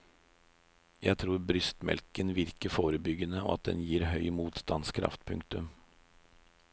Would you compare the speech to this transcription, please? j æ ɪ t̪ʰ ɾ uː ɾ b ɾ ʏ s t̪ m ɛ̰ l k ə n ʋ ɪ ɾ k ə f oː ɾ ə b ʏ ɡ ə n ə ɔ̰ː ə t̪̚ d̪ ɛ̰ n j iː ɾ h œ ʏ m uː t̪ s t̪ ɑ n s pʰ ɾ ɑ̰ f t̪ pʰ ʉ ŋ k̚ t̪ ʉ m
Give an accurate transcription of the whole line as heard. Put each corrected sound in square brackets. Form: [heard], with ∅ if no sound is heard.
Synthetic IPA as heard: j æ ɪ t̪ʰ ɾ uː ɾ b ɾ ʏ s t̪ m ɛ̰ l k ə n ʋ ɪ ɾ k ə f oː ɾ ə b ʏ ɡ ə n ə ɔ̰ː [ɑ] t̪̚ d̪ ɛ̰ n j iː ɾ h œ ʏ m uː t̪ s t̪ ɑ n s [kʰ] ɾ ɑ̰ f t̪ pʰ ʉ ŋ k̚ t̪ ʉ m